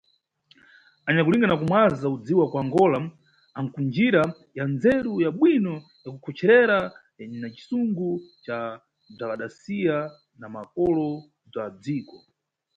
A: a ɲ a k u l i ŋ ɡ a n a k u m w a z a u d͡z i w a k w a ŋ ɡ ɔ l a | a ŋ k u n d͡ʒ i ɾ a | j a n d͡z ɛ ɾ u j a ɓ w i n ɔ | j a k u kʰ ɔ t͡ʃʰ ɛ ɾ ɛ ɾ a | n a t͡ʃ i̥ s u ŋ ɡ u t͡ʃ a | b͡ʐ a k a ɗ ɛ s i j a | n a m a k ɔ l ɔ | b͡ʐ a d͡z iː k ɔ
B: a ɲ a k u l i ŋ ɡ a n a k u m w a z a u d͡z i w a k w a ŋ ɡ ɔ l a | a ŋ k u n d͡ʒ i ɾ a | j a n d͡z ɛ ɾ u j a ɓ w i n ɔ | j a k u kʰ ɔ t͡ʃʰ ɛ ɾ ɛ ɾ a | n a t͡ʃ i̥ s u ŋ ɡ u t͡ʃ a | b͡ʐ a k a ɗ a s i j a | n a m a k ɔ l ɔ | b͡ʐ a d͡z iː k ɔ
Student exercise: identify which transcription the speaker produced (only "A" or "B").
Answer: B